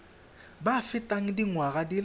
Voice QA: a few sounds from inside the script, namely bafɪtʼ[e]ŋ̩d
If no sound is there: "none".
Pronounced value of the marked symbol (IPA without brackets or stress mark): a